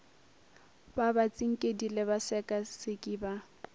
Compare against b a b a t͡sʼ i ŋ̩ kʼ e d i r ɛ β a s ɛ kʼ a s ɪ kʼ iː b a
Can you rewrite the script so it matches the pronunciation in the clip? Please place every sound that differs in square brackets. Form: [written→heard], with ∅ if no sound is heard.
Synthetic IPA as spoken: b a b a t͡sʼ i ŋ̩ kʼ e d i [r→l] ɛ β a s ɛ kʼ a s ɪ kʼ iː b a